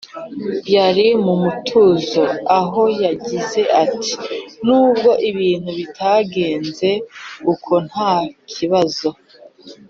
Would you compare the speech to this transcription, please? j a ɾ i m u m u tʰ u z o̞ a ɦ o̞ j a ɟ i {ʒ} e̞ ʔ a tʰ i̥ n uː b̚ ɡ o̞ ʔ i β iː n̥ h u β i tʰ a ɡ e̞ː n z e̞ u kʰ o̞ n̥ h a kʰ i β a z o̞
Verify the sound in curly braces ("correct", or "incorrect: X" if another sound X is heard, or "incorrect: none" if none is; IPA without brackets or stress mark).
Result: incorrect: z